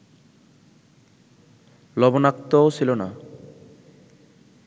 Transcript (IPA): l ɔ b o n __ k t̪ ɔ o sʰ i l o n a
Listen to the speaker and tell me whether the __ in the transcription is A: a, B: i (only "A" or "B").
A